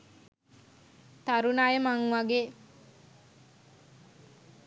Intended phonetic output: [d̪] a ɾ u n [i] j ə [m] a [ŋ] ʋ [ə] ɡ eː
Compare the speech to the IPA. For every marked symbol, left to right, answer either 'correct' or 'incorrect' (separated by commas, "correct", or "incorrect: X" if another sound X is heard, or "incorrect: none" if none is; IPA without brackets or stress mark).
incorrect: t̪, incorrect: a, correct, correct, incorrect: a